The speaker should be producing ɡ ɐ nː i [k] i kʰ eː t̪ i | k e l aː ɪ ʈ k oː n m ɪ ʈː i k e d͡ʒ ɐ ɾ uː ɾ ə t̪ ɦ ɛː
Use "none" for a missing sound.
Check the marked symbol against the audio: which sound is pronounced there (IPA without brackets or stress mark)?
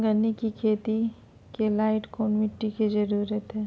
k